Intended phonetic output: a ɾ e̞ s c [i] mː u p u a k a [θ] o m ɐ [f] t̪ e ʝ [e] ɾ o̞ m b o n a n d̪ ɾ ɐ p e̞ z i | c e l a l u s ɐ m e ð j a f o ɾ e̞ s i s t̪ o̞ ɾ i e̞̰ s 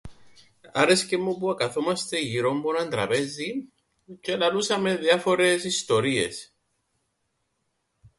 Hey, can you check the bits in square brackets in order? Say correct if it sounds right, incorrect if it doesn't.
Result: incorrect, correct, incorrect, incorrect

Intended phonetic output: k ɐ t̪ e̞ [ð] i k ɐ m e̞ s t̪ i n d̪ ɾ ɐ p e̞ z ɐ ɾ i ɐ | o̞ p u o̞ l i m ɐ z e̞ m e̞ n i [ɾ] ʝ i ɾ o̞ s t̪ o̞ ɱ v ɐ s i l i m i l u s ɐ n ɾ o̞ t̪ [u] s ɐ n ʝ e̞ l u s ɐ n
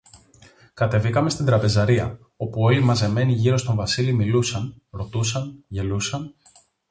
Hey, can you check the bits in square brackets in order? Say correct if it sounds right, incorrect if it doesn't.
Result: incorrect, incorrect, correct

